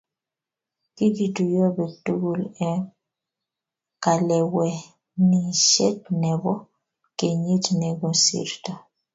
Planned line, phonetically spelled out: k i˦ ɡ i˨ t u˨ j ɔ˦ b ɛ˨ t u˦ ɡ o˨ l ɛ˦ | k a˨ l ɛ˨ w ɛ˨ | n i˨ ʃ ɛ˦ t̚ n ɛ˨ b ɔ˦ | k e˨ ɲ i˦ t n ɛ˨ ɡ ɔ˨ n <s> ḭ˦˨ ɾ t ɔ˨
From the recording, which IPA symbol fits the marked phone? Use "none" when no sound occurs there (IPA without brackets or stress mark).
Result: s